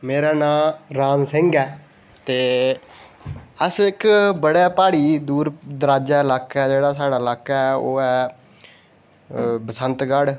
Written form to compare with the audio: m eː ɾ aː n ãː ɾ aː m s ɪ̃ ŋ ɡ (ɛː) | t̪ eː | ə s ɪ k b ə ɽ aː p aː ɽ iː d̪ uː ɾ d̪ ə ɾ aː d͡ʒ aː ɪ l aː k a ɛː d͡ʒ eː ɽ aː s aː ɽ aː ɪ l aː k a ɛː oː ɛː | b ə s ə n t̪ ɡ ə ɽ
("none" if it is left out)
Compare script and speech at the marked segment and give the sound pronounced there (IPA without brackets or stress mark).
ɛː